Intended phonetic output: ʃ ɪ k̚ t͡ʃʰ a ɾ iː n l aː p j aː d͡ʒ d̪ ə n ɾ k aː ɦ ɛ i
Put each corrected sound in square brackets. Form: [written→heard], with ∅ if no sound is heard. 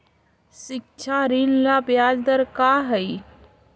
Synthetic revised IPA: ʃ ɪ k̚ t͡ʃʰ a ɾ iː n l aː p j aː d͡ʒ d̪ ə [n→∅] ɾ k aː ɦ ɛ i